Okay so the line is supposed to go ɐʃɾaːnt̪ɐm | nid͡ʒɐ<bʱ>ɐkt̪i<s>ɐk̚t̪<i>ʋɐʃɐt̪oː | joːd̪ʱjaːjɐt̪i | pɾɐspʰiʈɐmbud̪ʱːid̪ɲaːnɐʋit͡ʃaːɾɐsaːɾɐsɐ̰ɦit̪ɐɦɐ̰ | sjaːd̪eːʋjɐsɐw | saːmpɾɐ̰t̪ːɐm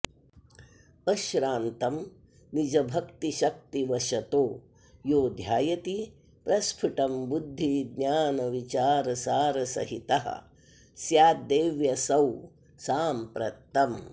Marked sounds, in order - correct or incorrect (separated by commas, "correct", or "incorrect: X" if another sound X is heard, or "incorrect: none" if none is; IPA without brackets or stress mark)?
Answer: correct, incorrect: ʃ, correct